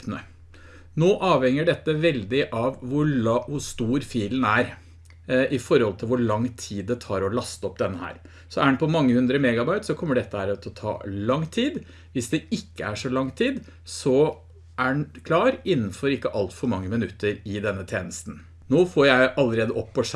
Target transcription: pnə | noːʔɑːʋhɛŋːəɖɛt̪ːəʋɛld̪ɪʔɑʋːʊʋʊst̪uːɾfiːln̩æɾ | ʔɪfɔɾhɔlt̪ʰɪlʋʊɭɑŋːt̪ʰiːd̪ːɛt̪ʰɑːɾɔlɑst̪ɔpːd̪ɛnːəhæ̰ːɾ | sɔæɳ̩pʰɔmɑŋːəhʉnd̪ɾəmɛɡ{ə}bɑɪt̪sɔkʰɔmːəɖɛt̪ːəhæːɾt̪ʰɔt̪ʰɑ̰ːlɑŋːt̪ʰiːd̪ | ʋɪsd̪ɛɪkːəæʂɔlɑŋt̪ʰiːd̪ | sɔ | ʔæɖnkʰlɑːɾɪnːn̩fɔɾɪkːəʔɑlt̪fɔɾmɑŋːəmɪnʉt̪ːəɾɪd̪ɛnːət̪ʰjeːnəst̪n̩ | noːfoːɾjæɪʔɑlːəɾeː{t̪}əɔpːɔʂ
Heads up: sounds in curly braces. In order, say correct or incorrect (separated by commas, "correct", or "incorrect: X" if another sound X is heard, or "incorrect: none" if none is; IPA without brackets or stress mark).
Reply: incorrect: ɑ, incorrect: d̪